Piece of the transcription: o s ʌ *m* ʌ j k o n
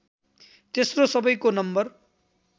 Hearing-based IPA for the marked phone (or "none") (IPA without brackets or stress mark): b